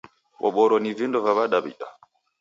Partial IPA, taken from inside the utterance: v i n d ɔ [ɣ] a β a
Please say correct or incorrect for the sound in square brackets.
incorrect